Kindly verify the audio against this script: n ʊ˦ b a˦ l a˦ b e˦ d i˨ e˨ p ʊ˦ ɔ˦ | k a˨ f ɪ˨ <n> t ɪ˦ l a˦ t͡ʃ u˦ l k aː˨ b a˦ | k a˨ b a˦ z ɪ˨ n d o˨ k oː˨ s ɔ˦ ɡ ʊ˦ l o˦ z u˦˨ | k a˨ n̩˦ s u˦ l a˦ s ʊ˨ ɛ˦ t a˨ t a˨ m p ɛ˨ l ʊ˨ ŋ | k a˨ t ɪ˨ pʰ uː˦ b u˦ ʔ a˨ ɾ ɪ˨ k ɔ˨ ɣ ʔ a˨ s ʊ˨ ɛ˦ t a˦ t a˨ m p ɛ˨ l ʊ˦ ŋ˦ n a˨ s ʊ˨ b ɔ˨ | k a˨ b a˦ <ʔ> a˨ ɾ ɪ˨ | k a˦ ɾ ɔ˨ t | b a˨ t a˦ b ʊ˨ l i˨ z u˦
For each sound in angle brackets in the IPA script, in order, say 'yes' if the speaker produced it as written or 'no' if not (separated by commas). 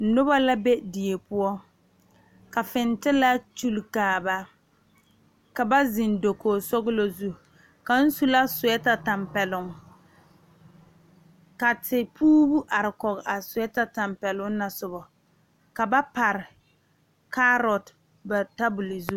yes, no